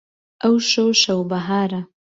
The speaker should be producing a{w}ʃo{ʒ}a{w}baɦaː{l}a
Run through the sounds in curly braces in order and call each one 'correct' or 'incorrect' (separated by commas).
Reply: correct, incorrect, correct, incorrect